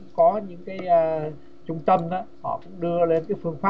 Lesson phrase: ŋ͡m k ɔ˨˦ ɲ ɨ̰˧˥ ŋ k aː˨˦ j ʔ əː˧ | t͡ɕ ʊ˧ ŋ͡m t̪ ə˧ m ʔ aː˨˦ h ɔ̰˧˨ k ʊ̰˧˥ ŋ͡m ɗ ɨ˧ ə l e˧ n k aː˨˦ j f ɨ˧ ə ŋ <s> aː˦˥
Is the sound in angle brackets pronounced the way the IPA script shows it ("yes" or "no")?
no